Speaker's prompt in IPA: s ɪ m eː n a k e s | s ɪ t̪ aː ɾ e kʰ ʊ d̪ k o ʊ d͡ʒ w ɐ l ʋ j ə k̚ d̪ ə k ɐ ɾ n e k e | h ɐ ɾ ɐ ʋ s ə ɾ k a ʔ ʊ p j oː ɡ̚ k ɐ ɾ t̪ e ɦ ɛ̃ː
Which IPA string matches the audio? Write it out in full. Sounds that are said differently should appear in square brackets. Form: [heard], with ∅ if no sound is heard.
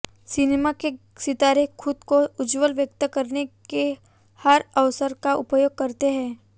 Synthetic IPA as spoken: s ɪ [n] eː [m] a k e [∅] | s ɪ t̪ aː ɾ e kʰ ʊ d̪ k o ʊ d͡ʒ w [ə] l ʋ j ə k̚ [t̪] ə k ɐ ɾ n e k e | h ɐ ɾ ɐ ʋ s ə ɾ k a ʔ ʊ p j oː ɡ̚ k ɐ ɾ t̪ e ɦ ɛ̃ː